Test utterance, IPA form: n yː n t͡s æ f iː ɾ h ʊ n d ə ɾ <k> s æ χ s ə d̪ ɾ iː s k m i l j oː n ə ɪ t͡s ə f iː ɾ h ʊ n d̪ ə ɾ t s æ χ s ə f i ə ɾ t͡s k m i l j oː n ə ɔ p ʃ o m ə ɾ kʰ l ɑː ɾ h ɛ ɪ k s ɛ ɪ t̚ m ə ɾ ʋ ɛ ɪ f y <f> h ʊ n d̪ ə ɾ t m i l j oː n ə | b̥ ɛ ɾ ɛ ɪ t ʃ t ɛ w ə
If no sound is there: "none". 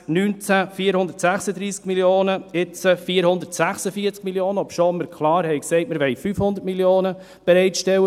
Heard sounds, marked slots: t, f

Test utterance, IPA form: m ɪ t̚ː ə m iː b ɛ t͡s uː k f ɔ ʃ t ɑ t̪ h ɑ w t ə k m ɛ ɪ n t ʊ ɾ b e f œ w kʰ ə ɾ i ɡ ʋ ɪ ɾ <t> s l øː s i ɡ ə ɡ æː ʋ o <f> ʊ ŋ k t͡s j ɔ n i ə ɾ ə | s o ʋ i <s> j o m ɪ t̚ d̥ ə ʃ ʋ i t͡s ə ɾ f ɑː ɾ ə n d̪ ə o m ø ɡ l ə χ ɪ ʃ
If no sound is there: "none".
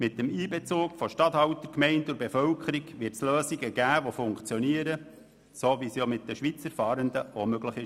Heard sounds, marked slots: t, f, s

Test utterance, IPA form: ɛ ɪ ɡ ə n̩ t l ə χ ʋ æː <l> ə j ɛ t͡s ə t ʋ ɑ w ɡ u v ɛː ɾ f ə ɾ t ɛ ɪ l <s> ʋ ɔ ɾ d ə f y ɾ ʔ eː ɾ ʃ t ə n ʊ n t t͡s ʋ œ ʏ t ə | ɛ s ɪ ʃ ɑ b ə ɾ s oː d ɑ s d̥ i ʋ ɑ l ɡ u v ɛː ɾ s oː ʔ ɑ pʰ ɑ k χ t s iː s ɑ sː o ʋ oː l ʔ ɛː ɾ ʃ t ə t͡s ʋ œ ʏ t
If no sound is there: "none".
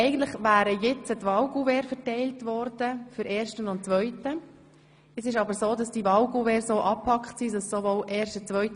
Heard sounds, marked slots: ɾ, t

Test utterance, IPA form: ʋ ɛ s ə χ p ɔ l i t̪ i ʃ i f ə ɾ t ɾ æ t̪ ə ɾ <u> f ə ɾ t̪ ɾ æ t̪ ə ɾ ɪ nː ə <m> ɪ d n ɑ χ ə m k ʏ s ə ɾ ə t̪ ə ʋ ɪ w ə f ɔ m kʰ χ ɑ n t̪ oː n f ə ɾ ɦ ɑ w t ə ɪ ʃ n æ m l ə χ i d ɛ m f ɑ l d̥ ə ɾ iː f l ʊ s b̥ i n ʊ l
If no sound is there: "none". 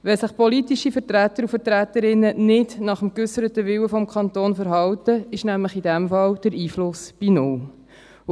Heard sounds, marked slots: u, n

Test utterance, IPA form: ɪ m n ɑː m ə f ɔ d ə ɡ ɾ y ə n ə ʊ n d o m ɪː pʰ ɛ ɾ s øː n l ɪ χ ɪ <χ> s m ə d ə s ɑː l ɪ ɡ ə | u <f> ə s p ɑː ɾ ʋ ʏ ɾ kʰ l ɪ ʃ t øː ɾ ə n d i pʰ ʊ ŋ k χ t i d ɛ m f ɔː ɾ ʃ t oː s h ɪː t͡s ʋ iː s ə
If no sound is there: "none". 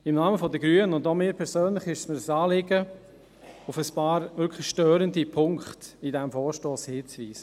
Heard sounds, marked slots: ʃ, f

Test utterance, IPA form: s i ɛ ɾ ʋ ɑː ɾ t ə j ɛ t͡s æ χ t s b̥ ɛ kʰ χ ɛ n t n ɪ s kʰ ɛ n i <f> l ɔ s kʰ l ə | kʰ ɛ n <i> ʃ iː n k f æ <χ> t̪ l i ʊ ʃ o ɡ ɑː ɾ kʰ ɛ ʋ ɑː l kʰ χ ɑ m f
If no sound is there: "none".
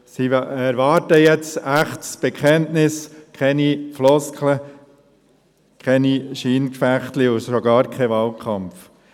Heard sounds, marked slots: f, i, χ

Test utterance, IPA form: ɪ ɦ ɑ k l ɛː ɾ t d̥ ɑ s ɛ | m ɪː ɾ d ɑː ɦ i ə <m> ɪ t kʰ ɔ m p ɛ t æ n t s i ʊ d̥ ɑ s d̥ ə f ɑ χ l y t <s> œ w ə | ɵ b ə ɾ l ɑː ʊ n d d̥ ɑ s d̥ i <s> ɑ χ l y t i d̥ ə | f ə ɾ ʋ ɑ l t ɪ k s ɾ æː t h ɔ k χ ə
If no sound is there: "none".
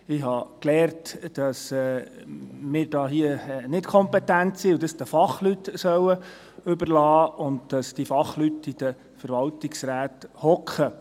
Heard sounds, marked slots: n, s, f

